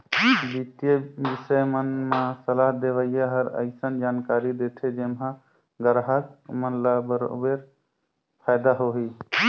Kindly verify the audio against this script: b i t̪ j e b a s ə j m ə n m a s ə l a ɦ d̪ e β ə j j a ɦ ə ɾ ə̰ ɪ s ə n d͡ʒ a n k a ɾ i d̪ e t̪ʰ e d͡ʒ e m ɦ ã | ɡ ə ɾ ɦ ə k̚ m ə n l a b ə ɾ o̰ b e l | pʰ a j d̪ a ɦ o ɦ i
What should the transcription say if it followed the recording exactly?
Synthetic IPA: b i t̪ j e b i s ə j m ə n m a s ə l a ɦ d̪ e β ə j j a ɦ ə ɾ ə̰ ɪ s ə n d͡ʒ a n k a ɾ i d̪ e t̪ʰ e d͡ʒ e m ɦ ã | ɡ ə ɾ ɦ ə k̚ m ə n l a b ə ɾ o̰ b e ɾ | pʰ a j d̪ a ɦ o ɦ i